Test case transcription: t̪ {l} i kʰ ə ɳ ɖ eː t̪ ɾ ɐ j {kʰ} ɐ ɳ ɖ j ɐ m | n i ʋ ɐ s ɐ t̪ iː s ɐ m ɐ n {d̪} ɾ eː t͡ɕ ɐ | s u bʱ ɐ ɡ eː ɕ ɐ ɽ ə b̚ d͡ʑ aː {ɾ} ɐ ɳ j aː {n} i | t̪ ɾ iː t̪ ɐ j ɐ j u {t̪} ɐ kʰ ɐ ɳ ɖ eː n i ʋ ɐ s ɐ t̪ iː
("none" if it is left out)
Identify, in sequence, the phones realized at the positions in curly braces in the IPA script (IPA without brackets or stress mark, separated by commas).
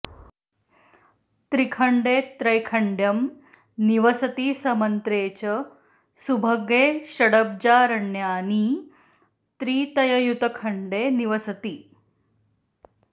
ɾ, kʰ, t̪, ɾ, n, t̪